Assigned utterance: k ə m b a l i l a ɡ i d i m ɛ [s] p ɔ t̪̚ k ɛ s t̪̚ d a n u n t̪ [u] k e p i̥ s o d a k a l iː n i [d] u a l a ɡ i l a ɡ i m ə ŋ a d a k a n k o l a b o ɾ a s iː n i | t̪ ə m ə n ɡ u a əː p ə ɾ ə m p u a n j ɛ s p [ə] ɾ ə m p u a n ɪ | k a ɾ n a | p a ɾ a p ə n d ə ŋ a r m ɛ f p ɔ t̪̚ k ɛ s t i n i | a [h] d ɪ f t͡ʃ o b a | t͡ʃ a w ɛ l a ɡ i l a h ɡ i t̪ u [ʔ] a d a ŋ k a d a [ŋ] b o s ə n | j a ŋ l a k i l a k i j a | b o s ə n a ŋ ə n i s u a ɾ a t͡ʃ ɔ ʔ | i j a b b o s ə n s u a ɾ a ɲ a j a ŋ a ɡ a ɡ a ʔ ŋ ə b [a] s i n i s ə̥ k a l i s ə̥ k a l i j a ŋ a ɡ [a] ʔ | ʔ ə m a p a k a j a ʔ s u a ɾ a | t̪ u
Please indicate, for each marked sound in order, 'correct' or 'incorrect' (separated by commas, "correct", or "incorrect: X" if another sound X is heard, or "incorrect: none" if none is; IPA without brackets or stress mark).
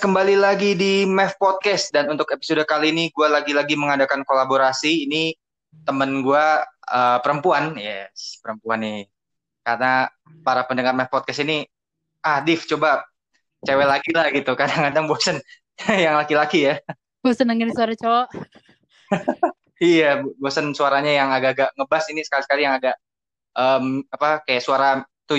incorrect: f, incorrect: ʊ, incorrect: ɡ, correct, correct, incorrect: k, correct, correct, correct